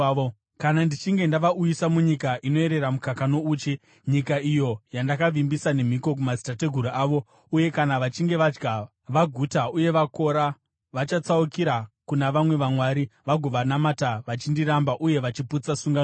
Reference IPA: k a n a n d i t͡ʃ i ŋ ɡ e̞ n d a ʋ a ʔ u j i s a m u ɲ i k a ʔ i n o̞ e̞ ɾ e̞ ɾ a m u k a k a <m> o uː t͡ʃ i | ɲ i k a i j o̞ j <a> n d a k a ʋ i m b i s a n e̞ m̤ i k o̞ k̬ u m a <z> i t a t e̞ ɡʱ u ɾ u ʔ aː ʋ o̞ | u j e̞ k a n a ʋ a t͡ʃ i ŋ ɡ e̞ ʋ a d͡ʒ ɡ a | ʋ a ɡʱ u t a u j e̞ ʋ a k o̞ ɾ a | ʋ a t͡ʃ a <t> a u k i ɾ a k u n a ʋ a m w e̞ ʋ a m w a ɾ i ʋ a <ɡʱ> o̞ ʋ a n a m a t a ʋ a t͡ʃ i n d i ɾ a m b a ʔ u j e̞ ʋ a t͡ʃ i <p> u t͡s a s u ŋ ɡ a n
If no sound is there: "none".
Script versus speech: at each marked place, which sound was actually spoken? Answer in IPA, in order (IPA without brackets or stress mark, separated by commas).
n, a, z, t͡s, ɡʱ, p